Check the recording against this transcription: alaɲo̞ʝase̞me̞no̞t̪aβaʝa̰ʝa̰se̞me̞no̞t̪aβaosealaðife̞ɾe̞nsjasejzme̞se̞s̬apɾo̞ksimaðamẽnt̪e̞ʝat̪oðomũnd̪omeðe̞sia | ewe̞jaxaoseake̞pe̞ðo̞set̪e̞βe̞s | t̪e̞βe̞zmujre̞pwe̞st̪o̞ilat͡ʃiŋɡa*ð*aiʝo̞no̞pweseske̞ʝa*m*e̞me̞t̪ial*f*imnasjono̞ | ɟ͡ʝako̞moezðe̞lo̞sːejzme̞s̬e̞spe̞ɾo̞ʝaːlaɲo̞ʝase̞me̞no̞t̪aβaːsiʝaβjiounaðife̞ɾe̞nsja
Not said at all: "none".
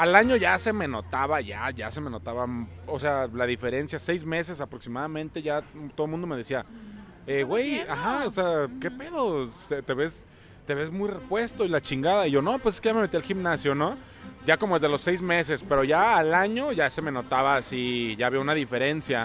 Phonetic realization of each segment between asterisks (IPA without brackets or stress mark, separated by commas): ð, m, x